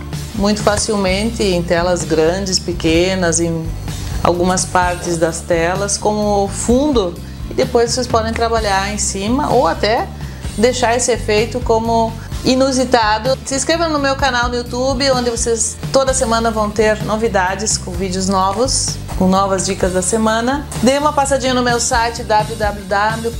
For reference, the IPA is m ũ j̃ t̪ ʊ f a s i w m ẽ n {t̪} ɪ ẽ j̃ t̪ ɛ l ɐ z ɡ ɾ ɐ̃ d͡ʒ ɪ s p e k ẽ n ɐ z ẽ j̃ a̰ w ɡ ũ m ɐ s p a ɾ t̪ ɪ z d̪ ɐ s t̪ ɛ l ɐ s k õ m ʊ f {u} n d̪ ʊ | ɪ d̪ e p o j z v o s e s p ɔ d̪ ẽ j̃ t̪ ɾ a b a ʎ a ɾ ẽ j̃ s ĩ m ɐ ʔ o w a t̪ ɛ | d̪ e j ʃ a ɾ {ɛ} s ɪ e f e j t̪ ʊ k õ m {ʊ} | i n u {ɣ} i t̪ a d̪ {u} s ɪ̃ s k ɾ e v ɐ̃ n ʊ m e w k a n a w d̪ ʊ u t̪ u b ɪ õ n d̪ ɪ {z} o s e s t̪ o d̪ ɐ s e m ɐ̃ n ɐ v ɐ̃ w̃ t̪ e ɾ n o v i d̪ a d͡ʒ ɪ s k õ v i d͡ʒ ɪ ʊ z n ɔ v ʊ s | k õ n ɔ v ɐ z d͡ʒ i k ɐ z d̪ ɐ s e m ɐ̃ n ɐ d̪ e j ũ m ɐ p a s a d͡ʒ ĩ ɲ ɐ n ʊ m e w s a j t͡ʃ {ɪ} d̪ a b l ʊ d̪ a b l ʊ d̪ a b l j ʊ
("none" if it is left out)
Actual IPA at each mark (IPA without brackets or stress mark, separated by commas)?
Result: t̪, ũ, e, ʊ, z, ʊ, v, ɪ